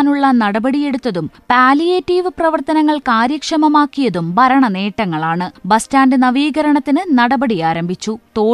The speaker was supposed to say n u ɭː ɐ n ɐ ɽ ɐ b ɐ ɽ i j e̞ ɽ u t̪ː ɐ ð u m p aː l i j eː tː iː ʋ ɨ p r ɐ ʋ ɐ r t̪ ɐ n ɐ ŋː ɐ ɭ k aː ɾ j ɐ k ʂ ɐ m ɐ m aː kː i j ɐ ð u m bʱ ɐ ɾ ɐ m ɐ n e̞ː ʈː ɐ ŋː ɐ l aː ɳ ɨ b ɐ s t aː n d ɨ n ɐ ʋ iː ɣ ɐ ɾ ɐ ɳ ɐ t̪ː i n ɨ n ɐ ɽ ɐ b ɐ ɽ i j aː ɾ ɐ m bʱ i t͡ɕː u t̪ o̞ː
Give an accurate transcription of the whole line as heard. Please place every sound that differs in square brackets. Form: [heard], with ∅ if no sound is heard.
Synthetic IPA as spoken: n u ɭː ɐ n ɐ ɽ ɐ b ɐ ɽ i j e̞ ɽ u t̪ː ɐ ð u m p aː l i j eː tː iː ʋ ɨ p r ɐ ʋ ɐ r t̪ ɐ n ɐ ŋː ɐ ɭ k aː ɾ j ɐ k ʂ ɐ m ɐ m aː kː i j ɐ ð u m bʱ ɐ ɾ ɐ [ɳ] ɐ n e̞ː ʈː ɐ ŋː ɐ [ɭ] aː ɳ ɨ b ɐ s t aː n d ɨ n ɐ ʋ iː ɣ ɐ ɾ ɐ ɳ ɐ t̪ː i n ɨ n ɐ ɽ ɐ b ɐ ɽ i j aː ɾ ɐ m bʱ i t͡ɕː u t̪ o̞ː